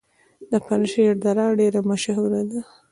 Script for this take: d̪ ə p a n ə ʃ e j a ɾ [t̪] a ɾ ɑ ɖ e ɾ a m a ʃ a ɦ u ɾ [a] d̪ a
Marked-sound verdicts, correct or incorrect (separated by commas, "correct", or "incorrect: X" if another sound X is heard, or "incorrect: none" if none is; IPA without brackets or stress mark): incorrect: d̪, correct